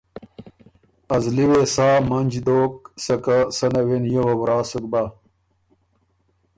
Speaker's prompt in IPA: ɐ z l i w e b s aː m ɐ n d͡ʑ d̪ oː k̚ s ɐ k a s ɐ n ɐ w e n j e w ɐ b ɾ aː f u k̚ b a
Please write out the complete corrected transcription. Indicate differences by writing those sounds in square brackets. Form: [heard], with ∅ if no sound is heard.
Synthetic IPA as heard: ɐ z l i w e [∅] s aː m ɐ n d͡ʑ d̪ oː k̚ s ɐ k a s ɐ n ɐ w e n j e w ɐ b ɾ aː [s] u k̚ b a